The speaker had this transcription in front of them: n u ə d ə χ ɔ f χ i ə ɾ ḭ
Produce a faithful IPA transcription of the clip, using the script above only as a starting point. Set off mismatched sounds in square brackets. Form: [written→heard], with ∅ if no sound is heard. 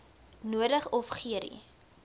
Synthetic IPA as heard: n u ə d ə χ ɔ f χ i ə ɾ ḭ